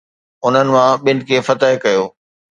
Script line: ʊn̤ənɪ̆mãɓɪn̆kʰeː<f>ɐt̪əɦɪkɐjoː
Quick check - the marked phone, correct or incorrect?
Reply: correct